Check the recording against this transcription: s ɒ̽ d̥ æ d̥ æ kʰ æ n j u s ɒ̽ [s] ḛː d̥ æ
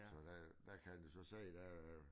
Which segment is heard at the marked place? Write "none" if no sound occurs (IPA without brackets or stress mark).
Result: s